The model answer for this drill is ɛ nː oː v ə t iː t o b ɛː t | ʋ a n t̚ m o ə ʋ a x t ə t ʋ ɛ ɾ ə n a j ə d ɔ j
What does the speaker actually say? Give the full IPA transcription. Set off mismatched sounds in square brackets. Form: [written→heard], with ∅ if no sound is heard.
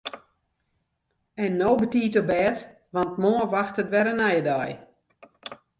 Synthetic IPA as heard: ɛ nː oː [v→b] ə t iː t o b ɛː t | ʋ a n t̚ m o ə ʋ a x t ə t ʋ ɛ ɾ ə n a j ə d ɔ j